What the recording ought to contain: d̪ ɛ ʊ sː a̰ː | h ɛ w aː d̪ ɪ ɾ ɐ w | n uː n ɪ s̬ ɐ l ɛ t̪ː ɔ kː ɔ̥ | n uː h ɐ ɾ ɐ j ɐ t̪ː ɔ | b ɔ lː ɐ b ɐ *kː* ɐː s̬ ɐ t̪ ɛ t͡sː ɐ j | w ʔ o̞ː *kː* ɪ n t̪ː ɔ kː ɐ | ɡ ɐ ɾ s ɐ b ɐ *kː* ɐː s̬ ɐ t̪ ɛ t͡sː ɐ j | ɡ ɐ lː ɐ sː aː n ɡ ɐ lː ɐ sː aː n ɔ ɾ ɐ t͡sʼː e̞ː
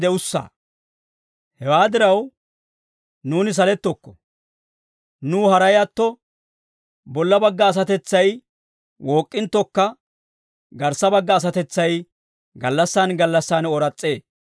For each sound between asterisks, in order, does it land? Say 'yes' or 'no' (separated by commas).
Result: no, no, no